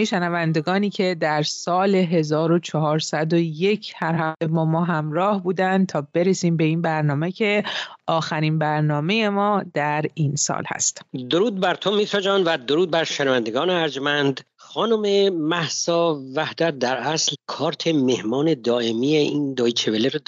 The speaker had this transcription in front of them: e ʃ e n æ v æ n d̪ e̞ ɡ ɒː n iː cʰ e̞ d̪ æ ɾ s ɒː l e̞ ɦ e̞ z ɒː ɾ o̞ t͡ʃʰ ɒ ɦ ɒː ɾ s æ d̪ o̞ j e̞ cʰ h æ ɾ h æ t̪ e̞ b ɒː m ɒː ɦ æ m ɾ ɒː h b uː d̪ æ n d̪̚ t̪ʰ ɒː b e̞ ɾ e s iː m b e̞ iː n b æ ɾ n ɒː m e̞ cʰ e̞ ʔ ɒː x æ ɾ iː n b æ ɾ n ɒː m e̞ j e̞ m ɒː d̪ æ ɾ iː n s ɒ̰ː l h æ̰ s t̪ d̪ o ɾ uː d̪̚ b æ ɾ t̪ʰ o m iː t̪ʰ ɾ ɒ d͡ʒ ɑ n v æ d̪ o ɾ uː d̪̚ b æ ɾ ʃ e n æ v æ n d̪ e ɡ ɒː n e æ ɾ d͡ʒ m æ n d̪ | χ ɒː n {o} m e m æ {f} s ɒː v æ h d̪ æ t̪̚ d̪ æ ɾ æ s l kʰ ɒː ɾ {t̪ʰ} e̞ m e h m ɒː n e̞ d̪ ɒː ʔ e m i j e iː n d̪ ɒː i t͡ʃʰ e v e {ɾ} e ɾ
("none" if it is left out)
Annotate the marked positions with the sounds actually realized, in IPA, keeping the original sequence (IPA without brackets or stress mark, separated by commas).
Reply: o, h, t̪ʰ, l